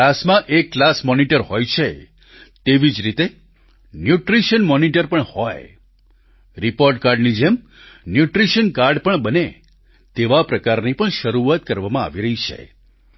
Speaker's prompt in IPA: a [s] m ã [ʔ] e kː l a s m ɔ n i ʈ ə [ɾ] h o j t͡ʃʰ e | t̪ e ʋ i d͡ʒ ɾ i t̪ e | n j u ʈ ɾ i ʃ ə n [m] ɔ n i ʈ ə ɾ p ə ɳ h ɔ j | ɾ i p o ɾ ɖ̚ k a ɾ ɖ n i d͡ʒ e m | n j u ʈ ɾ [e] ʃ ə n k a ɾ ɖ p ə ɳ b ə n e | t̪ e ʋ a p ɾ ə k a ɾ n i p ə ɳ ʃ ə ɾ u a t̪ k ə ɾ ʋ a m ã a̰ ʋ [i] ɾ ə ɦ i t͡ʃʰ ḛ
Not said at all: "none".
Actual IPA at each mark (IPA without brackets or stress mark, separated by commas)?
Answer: s, ʔ, ɾ, m, i, i